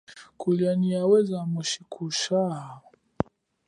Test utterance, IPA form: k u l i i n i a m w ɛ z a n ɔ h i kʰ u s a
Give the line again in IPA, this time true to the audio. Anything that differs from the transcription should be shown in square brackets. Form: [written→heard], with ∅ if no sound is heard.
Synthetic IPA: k u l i [i→a] n i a [m→∅] w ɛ z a [n→m] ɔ [h→ʃ] i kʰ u [s→ʃ] a